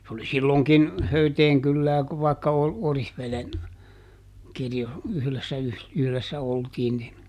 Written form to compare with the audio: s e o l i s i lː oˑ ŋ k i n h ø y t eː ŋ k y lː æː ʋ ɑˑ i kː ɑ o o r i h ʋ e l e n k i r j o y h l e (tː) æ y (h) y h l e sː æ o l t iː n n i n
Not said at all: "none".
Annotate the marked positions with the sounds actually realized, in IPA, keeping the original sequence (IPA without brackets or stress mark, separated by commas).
sː, h